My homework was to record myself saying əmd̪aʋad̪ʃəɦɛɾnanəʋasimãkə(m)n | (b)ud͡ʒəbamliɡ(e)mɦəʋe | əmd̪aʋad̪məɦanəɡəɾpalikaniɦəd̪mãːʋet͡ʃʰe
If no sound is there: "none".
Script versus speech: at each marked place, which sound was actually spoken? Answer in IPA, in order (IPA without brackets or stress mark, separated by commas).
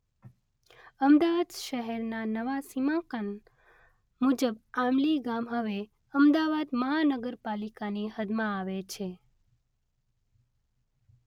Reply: none, m, a